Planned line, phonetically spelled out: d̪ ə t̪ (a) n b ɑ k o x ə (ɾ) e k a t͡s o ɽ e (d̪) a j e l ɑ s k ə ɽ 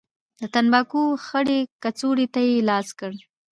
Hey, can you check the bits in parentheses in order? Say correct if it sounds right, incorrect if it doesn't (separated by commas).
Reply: correct, incorrect, incorrect